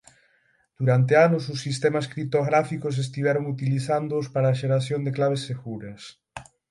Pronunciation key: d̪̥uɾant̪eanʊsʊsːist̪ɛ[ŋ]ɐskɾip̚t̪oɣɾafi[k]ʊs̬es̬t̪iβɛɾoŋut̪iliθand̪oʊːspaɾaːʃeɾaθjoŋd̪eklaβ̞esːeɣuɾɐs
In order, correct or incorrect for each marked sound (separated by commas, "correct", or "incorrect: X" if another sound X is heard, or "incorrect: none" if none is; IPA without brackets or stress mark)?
incorrect: m, correct